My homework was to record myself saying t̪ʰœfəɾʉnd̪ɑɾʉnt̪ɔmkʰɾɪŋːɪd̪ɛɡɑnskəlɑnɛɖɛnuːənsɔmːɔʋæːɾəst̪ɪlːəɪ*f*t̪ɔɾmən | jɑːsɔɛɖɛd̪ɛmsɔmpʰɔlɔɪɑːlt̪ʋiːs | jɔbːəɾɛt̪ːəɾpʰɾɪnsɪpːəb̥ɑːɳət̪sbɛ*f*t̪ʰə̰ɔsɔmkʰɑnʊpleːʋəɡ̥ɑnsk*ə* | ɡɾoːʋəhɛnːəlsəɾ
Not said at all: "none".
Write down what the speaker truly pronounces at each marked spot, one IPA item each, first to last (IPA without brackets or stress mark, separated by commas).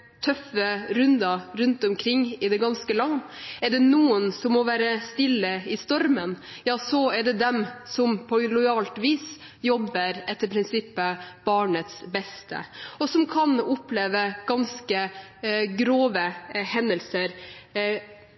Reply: s, s, ə